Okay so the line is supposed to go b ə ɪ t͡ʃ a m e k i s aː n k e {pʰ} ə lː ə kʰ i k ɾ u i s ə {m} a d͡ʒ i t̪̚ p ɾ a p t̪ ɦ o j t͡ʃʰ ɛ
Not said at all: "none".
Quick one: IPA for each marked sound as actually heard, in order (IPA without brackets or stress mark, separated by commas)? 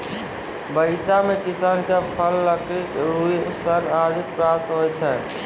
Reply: pʰ, n